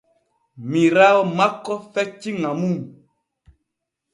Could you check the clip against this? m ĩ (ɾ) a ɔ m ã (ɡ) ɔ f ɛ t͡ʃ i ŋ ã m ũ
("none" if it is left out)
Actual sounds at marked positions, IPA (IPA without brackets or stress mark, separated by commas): ɾ, k